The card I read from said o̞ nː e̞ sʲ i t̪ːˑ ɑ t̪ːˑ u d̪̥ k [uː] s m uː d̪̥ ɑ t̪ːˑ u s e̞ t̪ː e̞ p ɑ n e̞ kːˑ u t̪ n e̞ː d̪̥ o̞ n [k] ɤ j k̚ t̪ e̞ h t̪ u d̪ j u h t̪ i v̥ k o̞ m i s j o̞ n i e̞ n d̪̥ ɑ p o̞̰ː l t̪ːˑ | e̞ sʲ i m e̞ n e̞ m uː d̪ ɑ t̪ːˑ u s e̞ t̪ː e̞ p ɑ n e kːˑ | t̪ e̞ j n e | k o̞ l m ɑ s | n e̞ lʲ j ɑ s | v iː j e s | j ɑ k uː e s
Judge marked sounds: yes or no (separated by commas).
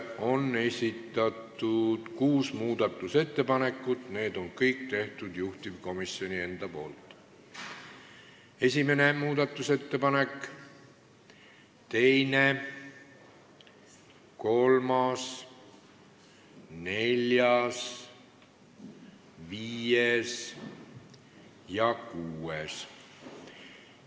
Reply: yes, yes